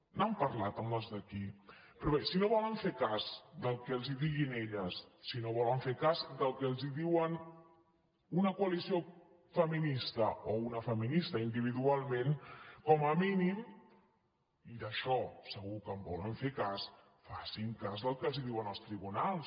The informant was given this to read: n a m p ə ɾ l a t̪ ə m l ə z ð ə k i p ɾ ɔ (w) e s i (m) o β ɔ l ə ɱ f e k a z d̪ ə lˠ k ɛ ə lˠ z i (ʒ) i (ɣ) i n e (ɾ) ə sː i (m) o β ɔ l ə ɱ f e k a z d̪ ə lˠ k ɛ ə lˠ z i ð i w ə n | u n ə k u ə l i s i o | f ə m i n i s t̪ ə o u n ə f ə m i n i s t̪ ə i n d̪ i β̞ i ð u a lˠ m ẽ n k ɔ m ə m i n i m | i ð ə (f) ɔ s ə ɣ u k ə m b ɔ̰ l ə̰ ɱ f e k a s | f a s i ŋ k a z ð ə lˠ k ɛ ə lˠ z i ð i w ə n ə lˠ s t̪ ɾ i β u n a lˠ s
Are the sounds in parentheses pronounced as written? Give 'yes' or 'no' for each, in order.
no, no, no, yes, no, no, no

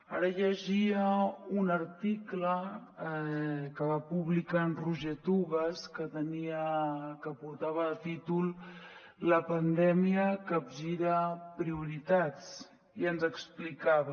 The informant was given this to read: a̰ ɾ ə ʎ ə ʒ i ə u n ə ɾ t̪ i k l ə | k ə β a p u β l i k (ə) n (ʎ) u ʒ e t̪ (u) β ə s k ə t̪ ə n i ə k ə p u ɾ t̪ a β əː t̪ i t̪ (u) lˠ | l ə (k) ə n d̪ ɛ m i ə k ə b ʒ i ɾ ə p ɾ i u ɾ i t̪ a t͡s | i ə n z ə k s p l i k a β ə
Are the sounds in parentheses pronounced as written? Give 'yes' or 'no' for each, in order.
no, no, yes, yes, no

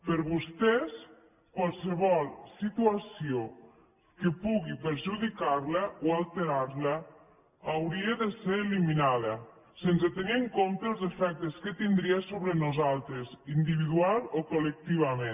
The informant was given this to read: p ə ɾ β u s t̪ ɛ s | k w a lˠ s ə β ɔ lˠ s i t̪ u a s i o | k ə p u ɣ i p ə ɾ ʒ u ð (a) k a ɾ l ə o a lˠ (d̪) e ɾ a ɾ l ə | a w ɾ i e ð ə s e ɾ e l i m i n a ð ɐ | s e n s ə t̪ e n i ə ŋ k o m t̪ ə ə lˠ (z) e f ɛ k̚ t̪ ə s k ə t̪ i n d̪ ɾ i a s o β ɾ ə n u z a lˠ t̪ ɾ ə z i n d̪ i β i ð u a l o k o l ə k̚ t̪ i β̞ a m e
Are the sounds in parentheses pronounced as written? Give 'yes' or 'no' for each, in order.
no, no, yes

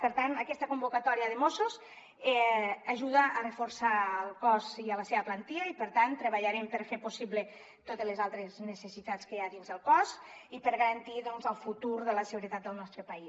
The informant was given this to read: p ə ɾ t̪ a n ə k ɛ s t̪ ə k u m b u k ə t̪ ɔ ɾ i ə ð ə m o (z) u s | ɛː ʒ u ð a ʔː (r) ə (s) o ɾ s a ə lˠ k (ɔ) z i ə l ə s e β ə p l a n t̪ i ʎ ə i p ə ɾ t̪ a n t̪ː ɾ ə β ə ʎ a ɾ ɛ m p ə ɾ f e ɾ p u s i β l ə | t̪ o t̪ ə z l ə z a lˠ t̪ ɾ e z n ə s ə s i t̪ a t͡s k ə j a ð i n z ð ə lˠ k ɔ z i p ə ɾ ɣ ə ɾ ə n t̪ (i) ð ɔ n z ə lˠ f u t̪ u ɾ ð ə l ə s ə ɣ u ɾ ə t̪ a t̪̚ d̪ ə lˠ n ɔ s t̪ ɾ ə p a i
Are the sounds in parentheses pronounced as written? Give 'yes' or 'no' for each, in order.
no, yes, no, yes, yes

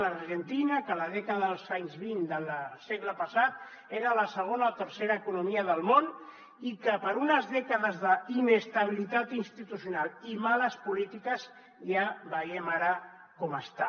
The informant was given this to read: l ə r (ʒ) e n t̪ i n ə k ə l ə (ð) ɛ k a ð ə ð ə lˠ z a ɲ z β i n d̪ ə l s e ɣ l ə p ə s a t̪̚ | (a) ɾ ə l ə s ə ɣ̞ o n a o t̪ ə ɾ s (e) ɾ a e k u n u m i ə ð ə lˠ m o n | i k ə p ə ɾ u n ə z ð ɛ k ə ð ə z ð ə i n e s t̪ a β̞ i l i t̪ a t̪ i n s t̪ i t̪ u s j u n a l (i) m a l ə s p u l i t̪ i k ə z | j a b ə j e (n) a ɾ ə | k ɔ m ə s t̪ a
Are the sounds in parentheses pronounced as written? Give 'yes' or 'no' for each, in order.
yes, yes, no, yes, yes, no

